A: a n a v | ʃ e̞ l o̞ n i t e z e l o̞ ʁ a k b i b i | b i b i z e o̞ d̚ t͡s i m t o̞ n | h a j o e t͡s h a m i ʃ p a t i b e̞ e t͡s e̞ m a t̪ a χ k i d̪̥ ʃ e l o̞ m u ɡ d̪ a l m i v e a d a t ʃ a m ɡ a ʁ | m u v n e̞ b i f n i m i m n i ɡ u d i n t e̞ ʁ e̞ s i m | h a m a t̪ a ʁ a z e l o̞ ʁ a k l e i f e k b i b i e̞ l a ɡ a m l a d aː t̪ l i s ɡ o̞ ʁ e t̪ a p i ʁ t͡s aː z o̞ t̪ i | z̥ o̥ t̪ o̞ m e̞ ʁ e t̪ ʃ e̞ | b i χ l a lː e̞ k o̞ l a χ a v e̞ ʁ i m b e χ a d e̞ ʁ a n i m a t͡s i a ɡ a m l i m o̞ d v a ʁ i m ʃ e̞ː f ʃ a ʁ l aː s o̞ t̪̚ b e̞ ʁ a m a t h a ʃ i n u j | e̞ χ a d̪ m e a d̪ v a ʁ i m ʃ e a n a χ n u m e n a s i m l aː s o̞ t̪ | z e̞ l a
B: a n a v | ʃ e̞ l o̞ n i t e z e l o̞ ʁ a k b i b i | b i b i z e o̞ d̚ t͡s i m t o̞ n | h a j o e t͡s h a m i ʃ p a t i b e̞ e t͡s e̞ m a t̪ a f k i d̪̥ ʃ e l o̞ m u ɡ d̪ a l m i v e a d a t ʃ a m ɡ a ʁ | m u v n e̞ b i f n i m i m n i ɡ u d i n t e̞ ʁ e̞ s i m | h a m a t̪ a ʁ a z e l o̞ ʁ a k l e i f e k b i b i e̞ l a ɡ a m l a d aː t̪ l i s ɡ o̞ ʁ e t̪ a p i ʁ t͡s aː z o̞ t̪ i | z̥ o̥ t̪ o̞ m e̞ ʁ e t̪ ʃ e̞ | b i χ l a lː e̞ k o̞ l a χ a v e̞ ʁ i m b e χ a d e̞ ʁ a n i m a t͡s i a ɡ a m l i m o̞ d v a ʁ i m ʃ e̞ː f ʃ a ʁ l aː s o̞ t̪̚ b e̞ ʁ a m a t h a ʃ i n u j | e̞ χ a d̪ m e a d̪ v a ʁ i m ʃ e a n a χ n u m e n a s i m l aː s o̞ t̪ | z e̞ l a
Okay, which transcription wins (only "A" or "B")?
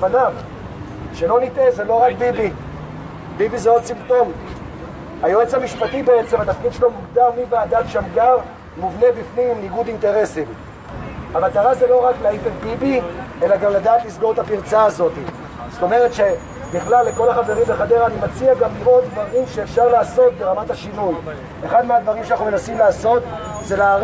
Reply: B